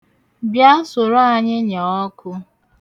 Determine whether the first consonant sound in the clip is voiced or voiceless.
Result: voiced